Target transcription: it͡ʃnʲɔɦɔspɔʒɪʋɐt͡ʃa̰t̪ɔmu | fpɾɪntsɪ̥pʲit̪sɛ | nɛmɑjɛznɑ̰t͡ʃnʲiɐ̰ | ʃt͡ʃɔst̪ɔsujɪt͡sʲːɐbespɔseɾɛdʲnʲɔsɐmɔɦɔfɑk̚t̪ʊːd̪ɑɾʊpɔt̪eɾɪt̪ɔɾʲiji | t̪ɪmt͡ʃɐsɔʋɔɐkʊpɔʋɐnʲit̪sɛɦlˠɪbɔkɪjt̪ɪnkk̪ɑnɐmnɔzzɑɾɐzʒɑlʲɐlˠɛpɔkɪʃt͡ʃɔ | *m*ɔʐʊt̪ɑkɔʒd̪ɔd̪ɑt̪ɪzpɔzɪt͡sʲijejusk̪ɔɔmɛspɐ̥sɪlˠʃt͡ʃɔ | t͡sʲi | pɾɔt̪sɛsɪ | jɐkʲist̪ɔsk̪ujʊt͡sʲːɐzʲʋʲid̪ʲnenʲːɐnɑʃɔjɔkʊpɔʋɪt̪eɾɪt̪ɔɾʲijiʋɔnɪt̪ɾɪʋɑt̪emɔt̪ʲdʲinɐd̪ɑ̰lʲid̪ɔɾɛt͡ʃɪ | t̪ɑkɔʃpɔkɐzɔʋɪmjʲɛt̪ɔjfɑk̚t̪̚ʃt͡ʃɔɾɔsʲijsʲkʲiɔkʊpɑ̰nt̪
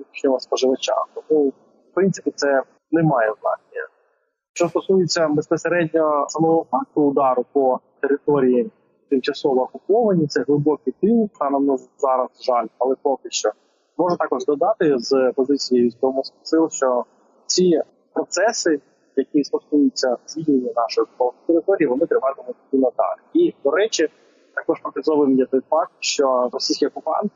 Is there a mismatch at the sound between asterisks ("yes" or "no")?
no